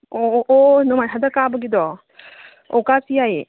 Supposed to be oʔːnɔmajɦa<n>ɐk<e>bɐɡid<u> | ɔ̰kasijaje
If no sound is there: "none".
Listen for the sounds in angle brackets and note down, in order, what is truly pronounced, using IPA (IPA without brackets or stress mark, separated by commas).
d, a, ɔ